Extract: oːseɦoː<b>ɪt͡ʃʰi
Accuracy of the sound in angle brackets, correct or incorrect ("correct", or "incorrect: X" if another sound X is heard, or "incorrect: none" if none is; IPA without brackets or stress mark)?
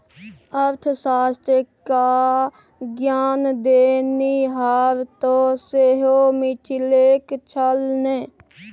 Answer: incorrect: m